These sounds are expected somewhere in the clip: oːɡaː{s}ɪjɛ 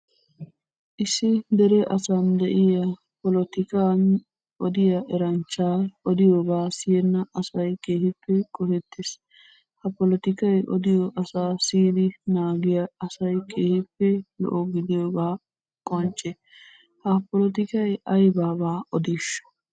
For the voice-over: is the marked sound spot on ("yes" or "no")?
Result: yes